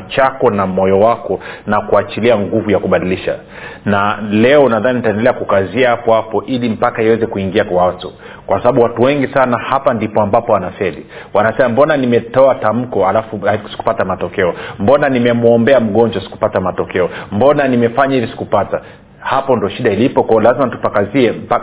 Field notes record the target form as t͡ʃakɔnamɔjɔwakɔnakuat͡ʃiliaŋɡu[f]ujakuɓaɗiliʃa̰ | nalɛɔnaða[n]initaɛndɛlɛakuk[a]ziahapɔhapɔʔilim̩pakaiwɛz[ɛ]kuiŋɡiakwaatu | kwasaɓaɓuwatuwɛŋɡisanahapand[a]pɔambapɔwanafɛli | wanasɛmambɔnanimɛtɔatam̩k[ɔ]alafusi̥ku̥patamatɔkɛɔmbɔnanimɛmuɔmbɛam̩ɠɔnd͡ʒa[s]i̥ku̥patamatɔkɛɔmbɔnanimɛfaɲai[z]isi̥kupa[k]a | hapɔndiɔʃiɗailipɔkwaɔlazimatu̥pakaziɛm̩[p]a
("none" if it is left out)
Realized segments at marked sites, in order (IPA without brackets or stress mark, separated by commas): v, n, a, ɛ, i, ɔ, s, v, t, p